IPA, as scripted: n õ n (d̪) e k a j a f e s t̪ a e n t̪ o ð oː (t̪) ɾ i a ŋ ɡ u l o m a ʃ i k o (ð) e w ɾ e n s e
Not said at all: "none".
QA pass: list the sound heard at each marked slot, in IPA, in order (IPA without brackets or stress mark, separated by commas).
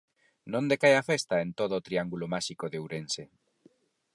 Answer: d̪, t̪, ð